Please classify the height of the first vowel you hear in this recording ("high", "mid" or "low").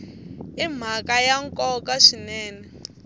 high